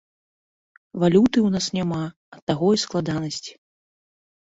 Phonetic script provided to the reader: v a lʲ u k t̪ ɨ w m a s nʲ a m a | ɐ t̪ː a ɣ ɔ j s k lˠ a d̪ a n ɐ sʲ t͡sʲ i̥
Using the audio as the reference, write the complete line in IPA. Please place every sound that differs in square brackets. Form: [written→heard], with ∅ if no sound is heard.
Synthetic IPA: v a lʲ u [k→∅] t̪ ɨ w [m→n] a s nʲ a m a | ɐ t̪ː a ɣ ɔ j s k lˠ a d̪ a n ɐ sʲ t͡sʲ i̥